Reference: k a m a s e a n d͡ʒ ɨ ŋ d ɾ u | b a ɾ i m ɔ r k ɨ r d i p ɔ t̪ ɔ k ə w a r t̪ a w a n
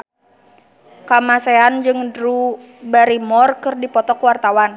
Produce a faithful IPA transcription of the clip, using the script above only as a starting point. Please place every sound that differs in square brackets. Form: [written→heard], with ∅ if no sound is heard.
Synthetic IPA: k a m a s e a n d͡ʒ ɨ ŋ d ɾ u | b a ɾ i m ɔ r k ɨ r d i p ɔ t̪ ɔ k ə w a r t̪ a w a n